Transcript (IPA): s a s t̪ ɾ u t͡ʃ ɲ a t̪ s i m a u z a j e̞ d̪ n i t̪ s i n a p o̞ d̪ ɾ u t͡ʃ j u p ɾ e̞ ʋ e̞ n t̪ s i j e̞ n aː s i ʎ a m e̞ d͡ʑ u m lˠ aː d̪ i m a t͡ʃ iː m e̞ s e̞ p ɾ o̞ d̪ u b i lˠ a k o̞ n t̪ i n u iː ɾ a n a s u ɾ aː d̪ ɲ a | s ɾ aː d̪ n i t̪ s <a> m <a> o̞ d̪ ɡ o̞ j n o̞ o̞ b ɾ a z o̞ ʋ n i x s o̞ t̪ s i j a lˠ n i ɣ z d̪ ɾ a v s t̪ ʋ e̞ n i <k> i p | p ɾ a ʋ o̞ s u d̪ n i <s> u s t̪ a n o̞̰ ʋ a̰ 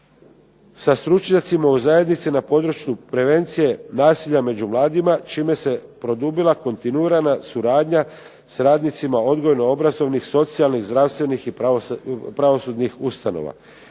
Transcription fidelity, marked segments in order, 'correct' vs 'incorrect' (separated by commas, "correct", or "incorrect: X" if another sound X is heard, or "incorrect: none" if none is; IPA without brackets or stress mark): incorrect: i, correct, incorrect: x, incorrect: x